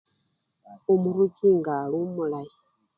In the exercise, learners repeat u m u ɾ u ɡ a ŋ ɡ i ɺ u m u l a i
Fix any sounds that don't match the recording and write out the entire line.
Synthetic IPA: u m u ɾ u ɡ i ŋ ɡ a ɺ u m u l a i